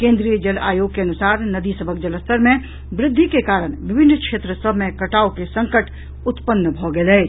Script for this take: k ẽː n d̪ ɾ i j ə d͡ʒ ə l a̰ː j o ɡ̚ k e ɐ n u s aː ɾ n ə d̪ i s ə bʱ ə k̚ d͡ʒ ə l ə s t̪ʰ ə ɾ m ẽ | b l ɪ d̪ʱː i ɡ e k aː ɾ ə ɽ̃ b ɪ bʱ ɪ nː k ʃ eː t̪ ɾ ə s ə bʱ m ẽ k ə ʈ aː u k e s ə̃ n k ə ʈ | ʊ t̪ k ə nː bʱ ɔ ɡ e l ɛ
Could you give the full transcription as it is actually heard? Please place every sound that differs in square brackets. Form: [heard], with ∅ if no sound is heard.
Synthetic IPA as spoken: k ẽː n d̪ ɾ i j ə d͡ʒ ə l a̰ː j o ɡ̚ k e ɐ n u s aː ɾ n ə d̪ i s ə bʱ ə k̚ d͡ʒ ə l ə s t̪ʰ ə ɾ m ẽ | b [ɾ] ɪ d̪ʱː i [k] e k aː ɾ ə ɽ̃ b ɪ bʱ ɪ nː k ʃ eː t̪ ɾ ə s ə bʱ m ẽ k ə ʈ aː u k e s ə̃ [ŋ] k ə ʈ | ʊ t̪ [p] ə nː bʱ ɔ ɡ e l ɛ